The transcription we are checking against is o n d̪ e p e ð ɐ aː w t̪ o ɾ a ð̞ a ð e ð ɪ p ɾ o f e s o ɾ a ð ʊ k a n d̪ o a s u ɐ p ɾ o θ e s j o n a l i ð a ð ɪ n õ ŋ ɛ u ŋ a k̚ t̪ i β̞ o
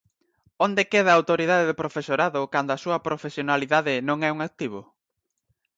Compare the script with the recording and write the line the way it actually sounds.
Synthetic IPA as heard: o n d̪ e k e ð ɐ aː w t̪ o ɾ i ð̞ a ð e ð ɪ p ɾ o f e s o ɾ a ð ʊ k a n d̪ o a s u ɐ p ɾ o f e s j o n a l i ð a ð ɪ n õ ŋ ɛ u ŋ a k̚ t̪ i β̞ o